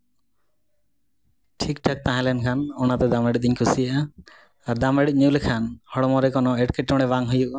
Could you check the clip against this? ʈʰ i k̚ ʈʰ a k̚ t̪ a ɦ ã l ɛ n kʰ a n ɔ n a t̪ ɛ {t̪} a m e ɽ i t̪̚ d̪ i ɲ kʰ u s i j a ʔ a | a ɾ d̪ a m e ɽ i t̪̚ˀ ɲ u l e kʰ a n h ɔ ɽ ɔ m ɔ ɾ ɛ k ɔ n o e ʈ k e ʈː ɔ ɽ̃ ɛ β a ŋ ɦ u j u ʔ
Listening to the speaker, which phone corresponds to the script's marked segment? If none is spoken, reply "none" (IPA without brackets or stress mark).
d̪